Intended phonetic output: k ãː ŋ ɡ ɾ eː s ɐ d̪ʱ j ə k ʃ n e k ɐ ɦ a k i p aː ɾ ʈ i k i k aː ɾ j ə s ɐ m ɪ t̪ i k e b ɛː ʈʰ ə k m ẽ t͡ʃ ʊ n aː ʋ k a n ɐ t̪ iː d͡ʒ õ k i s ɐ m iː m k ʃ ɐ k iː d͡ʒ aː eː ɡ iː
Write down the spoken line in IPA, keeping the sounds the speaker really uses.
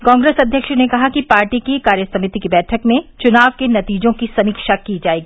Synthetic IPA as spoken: k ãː ŋ ɡ ɾ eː s ɐ d̪ʱ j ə k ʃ n e k ɐ ɦ a k i p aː ɾ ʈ i k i k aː ɾ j ə s ɐ m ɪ t̪ i k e b ɛː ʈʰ ə k m ẽ t͡ʃ ʊ n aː ʋ k e n ɐ t̪ iː d͡ʒ õ k i s ɐ m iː k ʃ a k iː d͡ʒ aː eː ɡ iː